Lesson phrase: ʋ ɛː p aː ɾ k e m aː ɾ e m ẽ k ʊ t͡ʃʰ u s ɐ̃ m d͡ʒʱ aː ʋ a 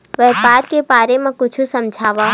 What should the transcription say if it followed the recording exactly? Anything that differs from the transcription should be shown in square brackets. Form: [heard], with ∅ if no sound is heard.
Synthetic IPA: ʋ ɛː p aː ɾ k e [b] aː ɾ e m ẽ k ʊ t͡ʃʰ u s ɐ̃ m d͡ʒʱ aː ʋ a